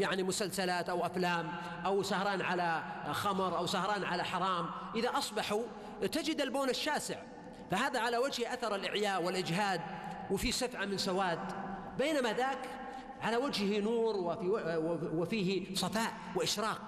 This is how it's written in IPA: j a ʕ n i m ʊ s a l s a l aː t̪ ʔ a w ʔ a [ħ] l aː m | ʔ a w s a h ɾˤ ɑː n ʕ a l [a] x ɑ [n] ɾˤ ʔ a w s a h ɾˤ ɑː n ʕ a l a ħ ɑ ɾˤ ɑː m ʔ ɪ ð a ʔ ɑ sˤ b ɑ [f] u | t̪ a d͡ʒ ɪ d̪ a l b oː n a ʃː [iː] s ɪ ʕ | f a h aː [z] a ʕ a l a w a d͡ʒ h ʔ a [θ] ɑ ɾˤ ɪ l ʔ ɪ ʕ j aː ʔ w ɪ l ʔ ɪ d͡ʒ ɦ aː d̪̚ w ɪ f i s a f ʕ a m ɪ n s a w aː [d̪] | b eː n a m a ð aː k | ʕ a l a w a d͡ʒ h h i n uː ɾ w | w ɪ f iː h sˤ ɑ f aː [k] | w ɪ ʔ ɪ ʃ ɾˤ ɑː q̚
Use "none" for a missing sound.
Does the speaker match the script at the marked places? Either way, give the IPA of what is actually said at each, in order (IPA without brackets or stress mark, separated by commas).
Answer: f, a, m, ħ, aː, ð, θ, d̪, ʔ